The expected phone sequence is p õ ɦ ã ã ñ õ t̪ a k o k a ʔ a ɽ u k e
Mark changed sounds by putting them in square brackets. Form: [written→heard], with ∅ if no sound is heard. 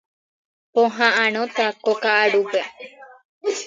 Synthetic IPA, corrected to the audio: p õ ɦ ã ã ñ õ t̪ a k o k a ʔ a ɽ u [k→p] e